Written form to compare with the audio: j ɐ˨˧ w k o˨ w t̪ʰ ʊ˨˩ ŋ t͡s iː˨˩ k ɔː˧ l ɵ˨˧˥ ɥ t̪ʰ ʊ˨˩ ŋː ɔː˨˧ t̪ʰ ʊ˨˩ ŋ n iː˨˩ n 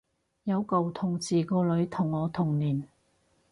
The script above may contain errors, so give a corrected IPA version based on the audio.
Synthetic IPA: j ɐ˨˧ w k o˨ w t̪ʰ ʊ˨˩ ŋ t͡s iː˨˩ k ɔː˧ l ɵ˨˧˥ ɥ t̪ʰ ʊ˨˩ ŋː ɔː˨˧ t̪ʰ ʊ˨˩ ŋ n iː˨˩ n